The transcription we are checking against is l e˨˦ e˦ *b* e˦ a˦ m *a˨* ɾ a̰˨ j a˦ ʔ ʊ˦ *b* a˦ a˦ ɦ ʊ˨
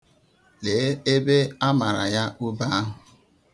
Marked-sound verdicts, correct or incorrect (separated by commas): correct, correct, correct